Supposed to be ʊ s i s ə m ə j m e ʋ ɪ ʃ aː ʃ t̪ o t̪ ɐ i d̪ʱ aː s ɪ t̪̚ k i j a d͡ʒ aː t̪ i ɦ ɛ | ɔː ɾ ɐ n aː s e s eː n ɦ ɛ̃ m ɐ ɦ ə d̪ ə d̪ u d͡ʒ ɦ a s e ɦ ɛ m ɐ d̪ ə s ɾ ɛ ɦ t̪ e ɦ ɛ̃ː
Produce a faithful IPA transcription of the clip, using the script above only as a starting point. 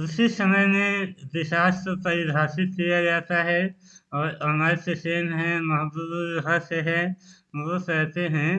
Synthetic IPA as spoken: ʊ s i s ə m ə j m e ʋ ɪ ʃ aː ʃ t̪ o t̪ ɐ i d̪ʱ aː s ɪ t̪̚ k i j a d͡ʒ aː t̪ a ɦ ɛ | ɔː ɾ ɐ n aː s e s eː n ɦ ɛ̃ m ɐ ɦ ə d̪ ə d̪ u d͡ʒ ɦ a s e ɦ ɛ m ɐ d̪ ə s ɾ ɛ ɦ t̪ e ɦ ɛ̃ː

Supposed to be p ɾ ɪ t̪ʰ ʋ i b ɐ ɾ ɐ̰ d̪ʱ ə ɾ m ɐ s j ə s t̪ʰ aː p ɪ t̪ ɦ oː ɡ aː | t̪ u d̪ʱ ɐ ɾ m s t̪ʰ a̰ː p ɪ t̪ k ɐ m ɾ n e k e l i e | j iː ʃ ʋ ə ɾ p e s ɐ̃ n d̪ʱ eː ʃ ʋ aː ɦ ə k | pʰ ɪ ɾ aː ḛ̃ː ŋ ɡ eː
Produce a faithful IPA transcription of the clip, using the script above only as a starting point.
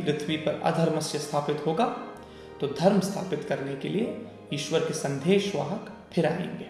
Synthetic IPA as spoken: p ɾ ɪ t̪ʰ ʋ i p ɐ ɾ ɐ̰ d̪ʱ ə ɾ m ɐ s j ə s t̪ʰ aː p ɪ t̪ ɦ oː ɡ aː | t̪ o d̪ʱ ɐ ɾ m s t̪ʰ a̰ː p ɪ t̪ k ɐ ɾ n e k e l i e | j iː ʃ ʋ ə ɾ k e s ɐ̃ n d̪ʱ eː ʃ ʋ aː ɦ ə k | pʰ ɪ ɾ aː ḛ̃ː ŋ ɡ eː

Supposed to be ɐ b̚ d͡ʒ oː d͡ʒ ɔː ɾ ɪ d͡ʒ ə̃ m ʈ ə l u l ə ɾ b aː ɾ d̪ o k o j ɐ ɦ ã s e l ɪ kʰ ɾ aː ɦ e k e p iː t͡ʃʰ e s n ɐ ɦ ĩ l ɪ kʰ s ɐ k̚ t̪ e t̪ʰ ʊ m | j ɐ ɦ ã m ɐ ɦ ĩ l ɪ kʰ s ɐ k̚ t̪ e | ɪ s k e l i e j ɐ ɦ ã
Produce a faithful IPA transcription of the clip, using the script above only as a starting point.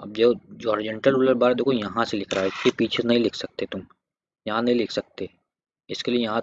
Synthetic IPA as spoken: ɐ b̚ d͡ʒ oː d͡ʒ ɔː ɾ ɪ d͡ʒ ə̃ ɳ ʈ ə l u l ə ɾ b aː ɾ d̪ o k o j ɐ ɦ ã s e l ɪ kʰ ɾ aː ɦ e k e p iː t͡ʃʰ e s n ɐ ɦ ĩ l ɪ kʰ s ɐ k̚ t̪ e t̪ ʊ m | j ɐ ɦ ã n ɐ ɦ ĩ l ɪ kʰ s ɐ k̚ t̪ e | ɪ s k e l i e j ɐ ɦ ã

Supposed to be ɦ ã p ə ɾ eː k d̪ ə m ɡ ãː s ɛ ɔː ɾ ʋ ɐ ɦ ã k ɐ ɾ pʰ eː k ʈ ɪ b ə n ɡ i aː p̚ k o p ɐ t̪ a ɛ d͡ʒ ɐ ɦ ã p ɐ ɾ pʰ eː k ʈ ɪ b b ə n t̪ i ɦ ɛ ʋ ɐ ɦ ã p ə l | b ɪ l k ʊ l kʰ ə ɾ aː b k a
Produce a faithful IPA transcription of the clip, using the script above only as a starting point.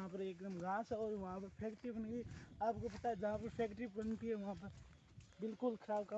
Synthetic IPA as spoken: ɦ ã p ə ɾ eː k d̪ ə m ɡ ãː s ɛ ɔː ɾ ʋ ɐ ɦ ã p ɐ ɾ pʰ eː k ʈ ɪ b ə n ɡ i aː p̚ k o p ɐ t̪ a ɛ d͡ʒ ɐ ɦ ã p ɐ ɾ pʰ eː k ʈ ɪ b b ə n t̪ i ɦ ɛ ʋ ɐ ɦ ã p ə ɾ | b ɪ l k ʊ l kʰ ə ɾ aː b k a

